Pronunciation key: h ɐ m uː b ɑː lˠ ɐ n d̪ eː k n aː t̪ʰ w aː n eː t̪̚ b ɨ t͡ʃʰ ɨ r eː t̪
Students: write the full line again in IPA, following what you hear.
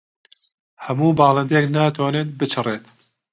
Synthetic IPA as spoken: h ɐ m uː b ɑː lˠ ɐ n d̪ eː k n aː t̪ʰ w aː n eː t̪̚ b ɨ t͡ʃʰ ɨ r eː t̪